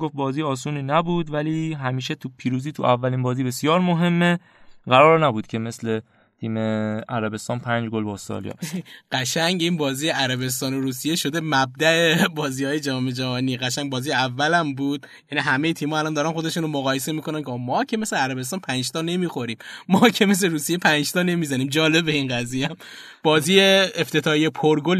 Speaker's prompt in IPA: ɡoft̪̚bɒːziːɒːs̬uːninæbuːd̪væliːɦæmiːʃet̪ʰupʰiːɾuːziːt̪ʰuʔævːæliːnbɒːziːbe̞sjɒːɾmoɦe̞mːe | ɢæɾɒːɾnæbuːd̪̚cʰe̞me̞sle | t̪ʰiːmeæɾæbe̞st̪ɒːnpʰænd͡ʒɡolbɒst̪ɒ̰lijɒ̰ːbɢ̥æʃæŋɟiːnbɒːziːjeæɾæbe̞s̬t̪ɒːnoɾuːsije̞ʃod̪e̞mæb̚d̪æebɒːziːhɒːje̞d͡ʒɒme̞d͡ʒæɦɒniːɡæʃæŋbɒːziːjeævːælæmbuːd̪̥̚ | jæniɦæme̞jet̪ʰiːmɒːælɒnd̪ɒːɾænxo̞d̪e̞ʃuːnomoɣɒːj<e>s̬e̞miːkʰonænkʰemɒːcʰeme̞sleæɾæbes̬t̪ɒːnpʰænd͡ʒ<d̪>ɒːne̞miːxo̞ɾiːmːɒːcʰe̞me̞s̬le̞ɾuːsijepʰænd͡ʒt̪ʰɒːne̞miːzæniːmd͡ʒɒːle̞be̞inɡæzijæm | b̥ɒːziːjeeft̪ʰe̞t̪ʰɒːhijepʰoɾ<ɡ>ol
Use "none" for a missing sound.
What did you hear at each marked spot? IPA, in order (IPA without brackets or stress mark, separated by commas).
e, t̪, ɡ